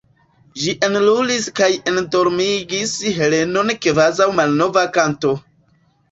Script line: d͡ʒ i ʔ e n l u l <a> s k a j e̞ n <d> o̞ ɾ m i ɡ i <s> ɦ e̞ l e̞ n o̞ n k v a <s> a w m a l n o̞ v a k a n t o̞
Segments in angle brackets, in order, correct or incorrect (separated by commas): incorrect, correct, correct, incorrect